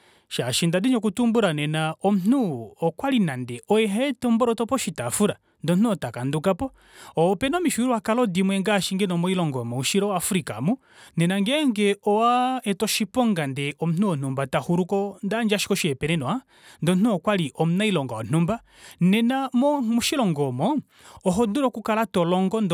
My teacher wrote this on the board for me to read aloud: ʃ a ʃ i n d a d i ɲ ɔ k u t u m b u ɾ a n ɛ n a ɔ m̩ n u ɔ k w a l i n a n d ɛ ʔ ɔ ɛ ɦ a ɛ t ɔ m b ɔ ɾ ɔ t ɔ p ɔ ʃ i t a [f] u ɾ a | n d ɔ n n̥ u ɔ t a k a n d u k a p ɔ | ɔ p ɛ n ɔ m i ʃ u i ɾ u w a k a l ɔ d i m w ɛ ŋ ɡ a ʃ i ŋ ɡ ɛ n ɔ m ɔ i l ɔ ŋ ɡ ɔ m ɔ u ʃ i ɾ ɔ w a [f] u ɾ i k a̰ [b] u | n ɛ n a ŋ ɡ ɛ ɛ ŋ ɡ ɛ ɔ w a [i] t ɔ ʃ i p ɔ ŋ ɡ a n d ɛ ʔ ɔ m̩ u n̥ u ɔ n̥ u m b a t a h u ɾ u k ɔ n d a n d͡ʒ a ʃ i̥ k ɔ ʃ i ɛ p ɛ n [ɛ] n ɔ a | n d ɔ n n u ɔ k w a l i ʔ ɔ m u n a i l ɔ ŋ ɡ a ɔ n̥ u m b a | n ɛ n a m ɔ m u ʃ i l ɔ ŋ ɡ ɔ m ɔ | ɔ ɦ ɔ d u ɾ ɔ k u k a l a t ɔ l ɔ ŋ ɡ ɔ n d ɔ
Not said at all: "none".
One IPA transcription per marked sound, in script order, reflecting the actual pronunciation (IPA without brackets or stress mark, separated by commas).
f, f, m, ɛ, ɛ